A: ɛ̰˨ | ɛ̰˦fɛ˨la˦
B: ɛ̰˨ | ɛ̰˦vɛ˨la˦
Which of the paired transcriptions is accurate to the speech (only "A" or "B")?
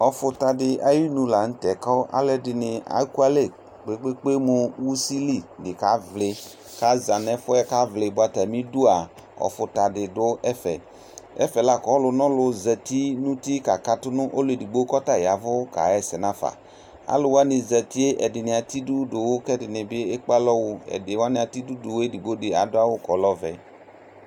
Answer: A